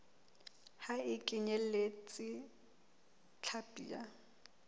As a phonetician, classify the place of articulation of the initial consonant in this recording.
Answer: glottal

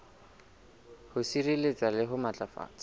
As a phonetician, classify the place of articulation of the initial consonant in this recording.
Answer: glottal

